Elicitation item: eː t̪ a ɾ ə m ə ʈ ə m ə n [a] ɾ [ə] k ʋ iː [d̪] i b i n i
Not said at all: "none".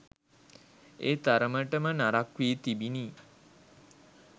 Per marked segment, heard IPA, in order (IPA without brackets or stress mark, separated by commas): a, a, t̪